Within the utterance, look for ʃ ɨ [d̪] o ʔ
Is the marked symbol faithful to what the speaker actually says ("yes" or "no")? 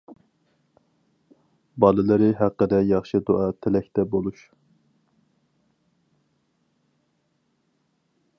yes